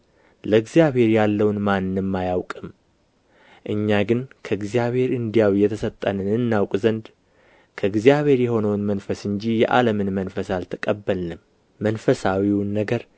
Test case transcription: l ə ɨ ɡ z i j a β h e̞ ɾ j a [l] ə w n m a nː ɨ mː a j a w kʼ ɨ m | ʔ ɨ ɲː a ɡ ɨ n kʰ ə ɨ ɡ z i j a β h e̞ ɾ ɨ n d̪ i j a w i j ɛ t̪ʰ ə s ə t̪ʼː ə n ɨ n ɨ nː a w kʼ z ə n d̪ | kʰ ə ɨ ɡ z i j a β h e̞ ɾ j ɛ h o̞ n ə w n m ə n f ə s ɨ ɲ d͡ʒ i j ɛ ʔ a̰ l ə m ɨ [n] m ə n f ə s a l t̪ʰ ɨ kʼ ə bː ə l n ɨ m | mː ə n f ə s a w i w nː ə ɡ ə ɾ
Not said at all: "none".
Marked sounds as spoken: lː, n

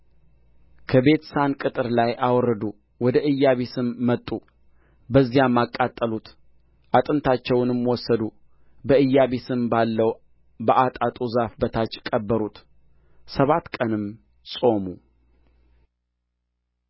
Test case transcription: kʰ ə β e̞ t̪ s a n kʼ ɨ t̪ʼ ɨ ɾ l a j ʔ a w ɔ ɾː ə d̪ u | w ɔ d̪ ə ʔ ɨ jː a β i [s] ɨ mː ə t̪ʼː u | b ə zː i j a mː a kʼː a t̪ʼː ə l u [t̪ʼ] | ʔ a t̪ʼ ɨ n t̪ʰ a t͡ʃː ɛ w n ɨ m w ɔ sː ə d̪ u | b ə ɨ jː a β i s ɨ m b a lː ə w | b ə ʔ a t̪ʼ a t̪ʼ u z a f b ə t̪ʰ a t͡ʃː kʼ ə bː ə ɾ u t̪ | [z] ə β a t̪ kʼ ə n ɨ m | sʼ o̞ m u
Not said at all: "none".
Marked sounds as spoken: s, t̪, s

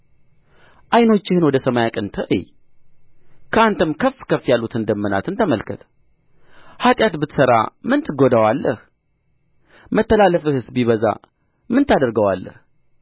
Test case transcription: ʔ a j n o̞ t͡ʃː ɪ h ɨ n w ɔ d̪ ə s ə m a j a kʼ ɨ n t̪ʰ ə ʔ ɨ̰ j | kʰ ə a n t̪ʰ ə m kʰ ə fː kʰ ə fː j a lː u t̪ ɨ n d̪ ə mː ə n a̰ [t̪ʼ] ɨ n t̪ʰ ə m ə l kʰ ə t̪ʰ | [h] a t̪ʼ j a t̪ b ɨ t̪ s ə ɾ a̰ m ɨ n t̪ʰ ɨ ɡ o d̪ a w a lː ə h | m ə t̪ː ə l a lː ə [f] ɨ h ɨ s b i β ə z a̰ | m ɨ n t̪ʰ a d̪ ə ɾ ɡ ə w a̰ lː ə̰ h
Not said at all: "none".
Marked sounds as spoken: t̪, h, f

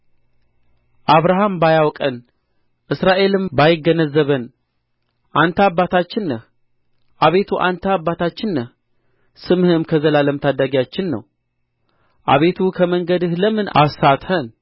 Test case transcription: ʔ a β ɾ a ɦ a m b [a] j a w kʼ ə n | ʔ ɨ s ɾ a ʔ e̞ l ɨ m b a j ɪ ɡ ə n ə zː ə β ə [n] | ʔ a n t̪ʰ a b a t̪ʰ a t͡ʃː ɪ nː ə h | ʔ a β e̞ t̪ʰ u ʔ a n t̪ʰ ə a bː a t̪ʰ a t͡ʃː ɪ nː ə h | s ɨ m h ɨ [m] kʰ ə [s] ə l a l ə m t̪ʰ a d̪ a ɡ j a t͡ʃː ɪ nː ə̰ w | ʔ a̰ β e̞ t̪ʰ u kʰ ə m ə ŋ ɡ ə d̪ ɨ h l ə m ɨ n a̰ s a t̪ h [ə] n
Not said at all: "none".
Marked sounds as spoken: a, n, m, z, ə

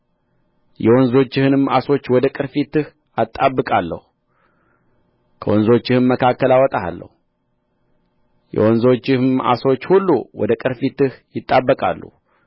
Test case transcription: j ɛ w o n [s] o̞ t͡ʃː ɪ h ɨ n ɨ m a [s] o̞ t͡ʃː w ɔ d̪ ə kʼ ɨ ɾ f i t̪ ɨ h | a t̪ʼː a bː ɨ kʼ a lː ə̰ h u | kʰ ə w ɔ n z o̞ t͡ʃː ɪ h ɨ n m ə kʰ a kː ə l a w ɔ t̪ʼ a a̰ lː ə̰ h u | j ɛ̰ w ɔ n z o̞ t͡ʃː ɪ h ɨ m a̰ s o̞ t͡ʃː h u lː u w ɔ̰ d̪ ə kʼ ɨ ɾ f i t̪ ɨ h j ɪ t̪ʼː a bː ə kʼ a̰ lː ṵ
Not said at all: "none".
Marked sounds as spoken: z, s

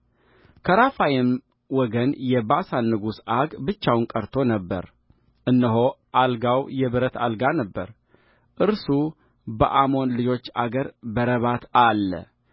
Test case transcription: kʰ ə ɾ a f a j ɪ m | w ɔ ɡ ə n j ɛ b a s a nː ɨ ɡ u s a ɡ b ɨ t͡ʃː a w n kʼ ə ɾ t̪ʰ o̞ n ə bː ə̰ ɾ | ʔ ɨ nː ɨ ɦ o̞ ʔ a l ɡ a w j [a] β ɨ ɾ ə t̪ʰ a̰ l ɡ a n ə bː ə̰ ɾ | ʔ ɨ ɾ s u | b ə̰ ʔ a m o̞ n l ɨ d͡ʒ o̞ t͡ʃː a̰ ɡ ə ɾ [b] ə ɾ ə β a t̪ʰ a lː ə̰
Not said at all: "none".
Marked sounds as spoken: ɛ, b

